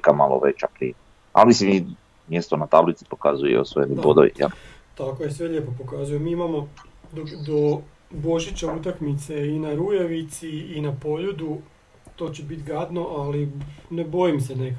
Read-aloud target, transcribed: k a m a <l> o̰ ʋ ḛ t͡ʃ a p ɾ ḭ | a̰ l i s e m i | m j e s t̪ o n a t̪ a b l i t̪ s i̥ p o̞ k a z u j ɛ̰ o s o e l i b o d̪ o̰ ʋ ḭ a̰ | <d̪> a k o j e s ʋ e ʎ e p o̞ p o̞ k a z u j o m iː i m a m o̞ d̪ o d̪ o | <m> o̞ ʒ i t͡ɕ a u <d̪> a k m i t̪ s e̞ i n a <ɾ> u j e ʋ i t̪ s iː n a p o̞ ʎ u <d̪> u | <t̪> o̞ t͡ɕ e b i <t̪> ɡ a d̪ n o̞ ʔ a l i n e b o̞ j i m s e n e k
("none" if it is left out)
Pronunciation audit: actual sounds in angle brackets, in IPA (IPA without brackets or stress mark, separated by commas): l, t̪, b, t̪, ɾ, d̪, t̪, t̪